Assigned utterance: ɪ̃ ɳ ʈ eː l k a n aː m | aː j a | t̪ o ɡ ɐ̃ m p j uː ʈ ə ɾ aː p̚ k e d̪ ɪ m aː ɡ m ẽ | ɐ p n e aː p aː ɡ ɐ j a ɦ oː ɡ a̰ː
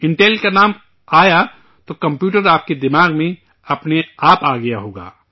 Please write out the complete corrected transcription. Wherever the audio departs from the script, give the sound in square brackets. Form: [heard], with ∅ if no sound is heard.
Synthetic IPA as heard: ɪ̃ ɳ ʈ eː l k a n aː m | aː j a | t̪ o [k] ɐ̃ m p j uː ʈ ə ɾ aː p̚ k e d̪ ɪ m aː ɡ m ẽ | ɐ p n e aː p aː ɡ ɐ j a ɦ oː ɡ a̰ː